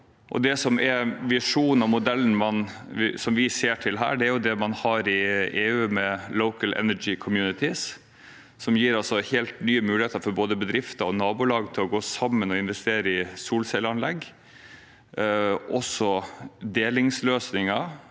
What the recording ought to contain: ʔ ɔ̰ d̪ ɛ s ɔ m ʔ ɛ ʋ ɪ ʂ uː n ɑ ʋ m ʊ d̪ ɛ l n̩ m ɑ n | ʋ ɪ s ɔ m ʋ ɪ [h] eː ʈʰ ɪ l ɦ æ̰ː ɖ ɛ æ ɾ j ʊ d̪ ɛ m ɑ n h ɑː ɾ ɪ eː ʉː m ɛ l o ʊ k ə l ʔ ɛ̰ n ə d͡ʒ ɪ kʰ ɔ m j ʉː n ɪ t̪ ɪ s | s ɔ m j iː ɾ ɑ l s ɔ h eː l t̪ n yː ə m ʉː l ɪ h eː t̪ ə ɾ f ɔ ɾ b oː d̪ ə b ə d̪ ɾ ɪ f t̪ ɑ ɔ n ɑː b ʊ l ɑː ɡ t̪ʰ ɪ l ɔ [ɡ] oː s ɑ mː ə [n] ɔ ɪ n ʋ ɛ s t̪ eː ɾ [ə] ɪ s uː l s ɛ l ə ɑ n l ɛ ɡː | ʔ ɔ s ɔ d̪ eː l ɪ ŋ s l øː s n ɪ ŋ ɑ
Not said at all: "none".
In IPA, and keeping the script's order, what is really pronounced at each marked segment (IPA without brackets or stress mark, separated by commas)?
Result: s, ɡ, n, ə